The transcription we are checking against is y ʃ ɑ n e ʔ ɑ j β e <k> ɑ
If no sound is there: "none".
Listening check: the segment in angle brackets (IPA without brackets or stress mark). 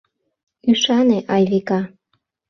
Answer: k